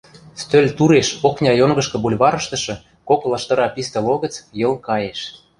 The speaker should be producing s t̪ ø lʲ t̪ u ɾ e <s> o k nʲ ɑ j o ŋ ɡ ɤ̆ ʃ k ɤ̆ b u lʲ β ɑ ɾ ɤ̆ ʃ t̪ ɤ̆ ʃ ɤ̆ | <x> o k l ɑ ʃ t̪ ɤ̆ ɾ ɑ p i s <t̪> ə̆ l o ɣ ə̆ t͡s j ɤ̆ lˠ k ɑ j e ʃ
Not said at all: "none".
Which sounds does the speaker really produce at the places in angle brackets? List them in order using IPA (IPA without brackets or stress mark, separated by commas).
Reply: ʃ, k, t̪